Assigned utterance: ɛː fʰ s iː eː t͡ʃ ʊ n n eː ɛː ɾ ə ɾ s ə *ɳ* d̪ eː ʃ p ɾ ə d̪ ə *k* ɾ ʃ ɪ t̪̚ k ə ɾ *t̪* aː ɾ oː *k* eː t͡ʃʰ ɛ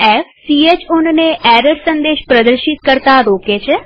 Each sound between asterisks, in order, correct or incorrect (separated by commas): incorrect, incorrect, correct, correct